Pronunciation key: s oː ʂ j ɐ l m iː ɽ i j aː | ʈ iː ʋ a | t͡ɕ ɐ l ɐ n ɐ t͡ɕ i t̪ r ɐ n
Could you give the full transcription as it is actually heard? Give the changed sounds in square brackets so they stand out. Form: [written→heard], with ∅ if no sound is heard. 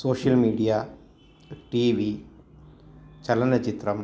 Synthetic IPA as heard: s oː ʂ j ɐ l m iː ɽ i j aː | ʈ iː ʋ [a→i] | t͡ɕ ɐ l ɐ n ɐ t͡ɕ i t̪ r ɐ [n→m]